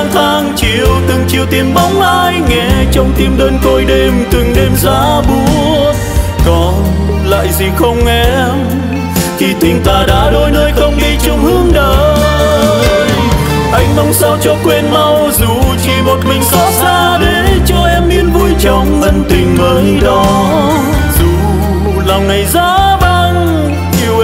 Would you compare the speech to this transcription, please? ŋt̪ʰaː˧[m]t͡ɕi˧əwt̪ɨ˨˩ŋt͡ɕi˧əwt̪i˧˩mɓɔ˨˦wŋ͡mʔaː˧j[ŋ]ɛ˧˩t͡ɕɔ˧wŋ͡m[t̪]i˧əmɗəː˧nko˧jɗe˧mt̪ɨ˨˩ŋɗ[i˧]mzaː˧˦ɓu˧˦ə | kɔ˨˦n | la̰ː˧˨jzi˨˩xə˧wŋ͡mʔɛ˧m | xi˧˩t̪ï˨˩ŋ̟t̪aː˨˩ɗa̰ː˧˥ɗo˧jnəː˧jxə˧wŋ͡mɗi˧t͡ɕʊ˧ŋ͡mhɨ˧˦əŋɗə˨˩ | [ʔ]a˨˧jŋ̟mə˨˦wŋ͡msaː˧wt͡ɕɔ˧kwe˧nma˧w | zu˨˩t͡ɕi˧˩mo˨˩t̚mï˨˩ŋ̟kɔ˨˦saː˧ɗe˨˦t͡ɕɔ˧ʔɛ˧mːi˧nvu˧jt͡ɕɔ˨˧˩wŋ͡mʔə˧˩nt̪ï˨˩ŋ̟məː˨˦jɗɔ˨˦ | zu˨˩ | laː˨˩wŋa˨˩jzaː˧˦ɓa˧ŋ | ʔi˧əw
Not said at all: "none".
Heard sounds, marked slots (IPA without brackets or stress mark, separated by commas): ŋ, ŋ, t̪, e˧, ʔ